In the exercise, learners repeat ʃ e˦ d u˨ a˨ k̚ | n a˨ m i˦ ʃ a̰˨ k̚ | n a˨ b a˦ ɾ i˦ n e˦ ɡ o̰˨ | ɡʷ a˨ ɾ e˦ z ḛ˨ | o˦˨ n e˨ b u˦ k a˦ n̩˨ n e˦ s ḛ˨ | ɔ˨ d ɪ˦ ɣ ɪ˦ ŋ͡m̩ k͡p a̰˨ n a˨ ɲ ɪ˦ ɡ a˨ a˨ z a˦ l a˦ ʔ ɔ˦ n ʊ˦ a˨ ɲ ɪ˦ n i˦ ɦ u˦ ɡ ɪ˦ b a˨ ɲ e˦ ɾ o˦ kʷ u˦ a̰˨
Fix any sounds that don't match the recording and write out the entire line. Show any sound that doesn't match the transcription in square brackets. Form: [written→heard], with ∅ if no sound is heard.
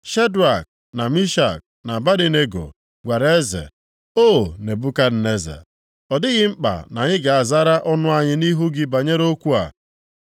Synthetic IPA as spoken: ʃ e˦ d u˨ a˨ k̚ | n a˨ m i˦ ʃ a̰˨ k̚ | n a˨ b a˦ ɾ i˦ n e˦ ɡ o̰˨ | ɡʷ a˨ ɾ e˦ z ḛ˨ | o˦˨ n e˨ b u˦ k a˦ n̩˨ n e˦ [s→z] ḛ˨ | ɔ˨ d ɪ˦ ɣ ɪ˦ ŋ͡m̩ k͡p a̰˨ n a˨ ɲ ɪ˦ ɡ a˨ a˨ z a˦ [l→ɾ] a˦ ʔ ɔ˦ n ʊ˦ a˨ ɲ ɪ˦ n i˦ ɦ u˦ ɡ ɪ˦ b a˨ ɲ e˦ ɾ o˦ kʷ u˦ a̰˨

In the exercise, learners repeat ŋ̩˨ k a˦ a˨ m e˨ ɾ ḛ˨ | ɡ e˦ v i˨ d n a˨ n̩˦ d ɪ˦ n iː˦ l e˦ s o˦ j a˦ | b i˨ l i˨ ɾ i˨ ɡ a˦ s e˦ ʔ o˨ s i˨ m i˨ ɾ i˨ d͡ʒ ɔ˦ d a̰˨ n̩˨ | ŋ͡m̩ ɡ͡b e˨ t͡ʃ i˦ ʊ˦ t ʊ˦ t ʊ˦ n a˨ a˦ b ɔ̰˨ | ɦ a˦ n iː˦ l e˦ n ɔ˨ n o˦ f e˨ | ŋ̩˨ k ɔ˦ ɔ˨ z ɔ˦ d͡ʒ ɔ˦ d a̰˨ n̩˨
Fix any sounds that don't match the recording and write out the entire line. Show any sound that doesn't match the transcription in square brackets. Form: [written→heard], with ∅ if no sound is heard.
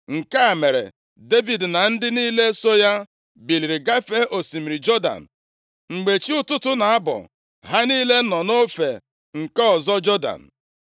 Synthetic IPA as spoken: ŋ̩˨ k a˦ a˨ m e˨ ɾ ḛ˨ | [ɡ→d] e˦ v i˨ d n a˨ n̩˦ d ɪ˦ n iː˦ l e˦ s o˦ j a˦ | b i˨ l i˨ ɾ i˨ ɡ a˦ [s→f] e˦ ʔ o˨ s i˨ m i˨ ɾ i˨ d͡ʒ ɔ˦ d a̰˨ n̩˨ | ŋ͡m̩ ɡ͡b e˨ t͡ʃ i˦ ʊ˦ t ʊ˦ t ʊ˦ n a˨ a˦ b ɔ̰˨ | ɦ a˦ n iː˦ l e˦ n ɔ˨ n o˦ f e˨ | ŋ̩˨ k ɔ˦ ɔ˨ z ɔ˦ d͡ʒ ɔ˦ d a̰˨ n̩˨

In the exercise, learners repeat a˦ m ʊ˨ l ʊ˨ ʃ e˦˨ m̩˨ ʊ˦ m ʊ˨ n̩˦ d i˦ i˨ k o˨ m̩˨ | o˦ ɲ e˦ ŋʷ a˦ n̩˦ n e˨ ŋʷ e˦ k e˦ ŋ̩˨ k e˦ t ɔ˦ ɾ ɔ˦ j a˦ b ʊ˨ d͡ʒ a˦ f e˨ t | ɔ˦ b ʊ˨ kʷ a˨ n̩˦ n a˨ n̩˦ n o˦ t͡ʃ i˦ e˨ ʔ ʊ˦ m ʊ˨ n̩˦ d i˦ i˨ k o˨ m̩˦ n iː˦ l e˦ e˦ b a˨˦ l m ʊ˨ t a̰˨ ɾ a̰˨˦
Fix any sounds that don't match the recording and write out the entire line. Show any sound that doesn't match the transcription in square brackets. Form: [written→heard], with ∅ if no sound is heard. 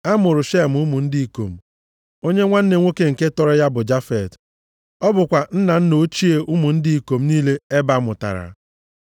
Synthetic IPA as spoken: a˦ m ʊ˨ [l→ɾ] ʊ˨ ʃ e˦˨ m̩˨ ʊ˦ m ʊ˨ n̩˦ d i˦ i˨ k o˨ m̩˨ | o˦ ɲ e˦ ŋʷ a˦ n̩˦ n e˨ ŋʷ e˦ k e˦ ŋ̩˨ k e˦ t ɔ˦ ɾ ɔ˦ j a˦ b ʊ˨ d͡ʒ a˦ f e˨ t | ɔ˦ b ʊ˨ kʷ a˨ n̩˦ n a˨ n̩˦ n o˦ t͡ʃ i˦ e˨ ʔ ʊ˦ m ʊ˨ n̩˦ d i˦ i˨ k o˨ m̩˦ n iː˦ l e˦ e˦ b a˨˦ [l→∅] m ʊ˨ t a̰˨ ɾ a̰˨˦

